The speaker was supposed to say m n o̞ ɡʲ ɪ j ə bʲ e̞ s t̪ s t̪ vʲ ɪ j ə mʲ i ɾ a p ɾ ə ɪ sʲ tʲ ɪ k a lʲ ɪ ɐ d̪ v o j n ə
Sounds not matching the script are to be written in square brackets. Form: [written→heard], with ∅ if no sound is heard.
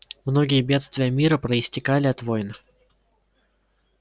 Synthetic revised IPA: m n o̞ ɡʲ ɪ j ə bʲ e̞ [s→∅] t̪ s t̪ vʲ ɪ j ə mʲ i ɾ [a→ə] p ɾ ə ɪ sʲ tʲ ɪ k a lʲ ɪ ɐ [d̪→t̪] v o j n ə